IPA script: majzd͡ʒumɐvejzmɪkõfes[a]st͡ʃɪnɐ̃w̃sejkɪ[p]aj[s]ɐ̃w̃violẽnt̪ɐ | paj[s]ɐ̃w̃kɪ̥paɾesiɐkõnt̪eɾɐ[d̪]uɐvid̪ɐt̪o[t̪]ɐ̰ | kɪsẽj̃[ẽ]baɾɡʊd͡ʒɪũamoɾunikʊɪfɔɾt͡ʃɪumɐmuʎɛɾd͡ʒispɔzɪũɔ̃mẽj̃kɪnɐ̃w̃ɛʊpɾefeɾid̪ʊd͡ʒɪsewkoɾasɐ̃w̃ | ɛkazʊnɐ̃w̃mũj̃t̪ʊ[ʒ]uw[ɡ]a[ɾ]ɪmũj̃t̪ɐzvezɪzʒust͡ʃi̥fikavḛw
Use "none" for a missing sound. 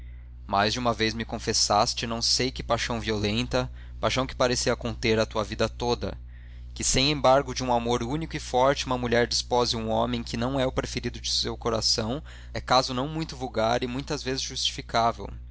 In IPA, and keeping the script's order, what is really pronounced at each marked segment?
a, p, ʃ, ʃ, t̪, d̪, ẽ, v, ɡ, ɾ

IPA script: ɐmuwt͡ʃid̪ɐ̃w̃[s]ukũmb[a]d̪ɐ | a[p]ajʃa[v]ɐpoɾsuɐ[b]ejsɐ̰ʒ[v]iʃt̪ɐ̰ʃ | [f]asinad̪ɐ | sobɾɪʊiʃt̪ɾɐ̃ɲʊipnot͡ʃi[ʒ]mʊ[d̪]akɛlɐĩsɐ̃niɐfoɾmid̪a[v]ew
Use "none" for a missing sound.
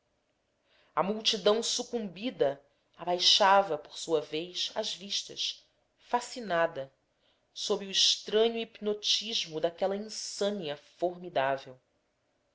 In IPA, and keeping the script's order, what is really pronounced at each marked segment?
s, i, b, v, v, v, f, ʒ, d̪, v

